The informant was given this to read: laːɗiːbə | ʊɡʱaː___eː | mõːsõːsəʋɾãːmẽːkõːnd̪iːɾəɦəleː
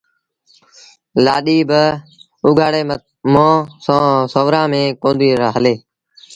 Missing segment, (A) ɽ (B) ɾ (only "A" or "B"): A